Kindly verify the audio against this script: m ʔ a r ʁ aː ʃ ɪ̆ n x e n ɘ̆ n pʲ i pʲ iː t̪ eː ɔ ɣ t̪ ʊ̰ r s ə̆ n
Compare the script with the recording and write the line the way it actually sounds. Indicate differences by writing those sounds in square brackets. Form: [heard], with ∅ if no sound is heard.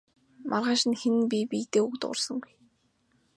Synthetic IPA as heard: m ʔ a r ʁ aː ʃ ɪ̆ n x e n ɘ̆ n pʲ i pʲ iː t̪ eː [u] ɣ t̪ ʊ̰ r s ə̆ [ŋ]